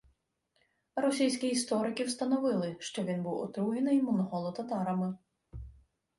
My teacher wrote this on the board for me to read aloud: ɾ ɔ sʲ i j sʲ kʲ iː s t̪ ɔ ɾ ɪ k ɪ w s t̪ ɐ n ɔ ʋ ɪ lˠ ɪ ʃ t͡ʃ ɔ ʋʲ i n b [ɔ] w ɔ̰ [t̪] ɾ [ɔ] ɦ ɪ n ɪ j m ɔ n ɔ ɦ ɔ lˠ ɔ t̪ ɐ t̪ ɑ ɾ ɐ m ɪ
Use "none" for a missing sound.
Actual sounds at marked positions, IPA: u, t̪, u

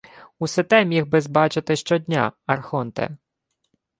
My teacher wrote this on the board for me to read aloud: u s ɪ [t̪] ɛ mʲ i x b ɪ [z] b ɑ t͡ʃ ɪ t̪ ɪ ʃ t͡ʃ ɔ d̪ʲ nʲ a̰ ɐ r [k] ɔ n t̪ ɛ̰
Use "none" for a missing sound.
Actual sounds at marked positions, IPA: t̪, z, x

